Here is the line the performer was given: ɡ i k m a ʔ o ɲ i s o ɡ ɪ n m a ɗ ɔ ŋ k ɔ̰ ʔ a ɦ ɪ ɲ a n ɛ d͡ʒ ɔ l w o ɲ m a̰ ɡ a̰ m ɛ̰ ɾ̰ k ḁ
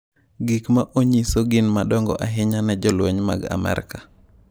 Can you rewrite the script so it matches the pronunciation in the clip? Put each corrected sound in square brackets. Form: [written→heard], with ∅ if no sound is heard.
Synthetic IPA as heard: ɡ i k m a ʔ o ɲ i s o ɡ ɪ n m a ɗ ɔ ŋ [k→ɡ] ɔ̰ ʔ a ɦ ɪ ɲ a n ɛ d͡ʒ ɔ l w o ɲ m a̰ ɡ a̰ m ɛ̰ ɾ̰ k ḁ